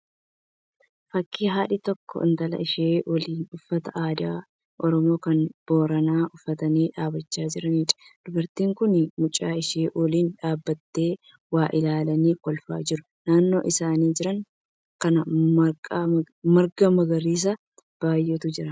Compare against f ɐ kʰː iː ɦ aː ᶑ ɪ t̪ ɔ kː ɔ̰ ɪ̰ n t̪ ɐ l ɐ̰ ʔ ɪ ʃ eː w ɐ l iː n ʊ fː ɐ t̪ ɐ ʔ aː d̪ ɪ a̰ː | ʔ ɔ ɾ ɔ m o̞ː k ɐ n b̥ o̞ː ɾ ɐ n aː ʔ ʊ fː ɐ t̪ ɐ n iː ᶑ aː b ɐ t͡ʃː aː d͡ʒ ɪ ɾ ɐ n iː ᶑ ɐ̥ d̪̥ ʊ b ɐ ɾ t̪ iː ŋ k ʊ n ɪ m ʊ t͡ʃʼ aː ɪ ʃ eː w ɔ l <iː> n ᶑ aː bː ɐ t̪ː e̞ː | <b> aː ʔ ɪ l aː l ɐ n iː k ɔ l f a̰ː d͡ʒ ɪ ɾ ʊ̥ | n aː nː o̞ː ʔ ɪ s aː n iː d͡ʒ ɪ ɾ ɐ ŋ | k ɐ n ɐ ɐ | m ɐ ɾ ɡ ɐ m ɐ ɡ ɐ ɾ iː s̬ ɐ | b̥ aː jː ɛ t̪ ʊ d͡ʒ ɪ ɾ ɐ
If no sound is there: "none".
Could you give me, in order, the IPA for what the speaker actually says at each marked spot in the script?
iː, w

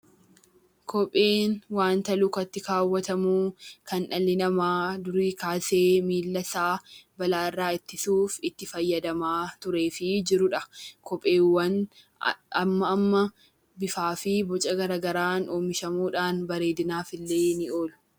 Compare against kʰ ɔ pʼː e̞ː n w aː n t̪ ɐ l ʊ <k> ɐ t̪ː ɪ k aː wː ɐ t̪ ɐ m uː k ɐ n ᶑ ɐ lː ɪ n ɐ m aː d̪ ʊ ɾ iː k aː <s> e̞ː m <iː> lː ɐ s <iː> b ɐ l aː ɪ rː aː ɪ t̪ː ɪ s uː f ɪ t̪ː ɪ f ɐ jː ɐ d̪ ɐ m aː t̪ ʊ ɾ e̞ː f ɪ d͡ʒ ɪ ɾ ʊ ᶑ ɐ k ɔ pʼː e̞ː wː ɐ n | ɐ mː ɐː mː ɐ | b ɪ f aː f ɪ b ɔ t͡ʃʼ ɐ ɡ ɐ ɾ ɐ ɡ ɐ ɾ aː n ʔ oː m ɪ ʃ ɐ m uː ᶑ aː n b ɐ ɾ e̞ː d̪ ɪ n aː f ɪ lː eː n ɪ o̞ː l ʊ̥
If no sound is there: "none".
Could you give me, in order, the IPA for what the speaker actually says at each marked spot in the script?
k, s, iː, aː

